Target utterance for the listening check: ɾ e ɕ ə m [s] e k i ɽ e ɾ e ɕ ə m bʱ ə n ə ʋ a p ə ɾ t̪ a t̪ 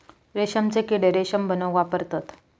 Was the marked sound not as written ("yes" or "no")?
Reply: yes